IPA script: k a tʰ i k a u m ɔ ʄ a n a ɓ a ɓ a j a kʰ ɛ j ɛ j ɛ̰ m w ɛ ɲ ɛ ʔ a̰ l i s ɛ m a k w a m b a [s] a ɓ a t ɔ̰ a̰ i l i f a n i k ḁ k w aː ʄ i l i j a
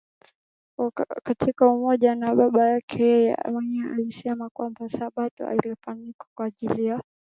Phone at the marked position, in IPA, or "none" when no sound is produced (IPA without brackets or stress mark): s